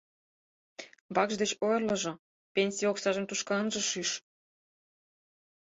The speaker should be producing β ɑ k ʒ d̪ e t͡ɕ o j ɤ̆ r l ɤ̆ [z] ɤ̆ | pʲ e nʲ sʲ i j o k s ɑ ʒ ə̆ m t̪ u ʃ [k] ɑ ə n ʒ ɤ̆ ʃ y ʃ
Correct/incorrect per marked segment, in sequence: incorrect: ʒ, correct

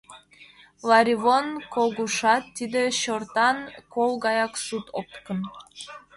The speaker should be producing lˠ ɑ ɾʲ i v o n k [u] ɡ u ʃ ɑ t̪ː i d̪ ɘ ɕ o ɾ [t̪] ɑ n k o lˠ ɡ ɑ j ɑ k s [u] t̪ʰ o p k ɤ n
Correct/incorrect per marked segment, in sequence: incorrect: o, correct, correct

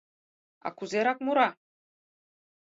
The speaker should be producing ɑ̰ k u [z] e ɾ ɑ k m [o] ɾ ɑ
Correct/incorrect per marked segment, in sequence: correct, incorrect: u

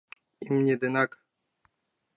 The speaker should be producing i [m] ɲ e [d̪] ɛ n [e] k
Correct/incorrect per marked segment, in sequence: correct, correct, incorrect: a

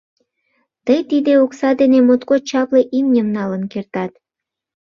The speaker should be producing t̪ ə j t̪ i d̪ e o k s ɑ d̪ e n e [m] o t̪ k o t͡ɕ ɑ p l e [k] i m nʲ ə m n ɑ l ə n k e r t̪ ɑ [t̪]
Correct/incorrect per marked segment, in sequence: correct, incorrect: ʔ, correct

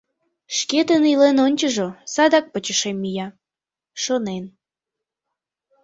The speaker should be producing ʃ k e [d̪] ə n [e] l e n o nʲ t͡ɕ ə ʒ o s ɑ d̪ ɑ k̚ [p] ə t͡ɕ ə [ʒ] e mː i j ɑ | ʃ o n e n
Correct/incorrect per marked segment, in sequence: incorrect: t̪, incorrect: i, correct, incorrect: ʃ

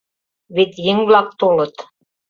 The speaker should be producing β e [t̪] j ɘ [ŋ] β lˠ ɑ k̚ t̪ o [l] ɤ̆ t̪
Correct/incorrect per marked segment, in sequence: correct, correct, correct

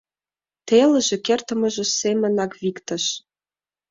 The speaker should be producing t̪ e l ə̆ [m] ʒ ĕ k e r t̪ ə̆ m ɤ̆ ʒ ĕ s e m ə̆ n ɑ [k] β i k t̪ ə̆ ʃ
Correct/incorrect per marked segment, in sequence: incorrect: none, correct

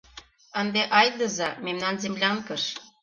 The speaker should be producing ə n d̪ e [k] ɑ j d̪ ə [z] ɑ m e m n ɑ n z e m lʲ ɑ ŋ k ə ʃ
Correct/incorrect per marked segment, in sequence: incorrect: ʔ, correct

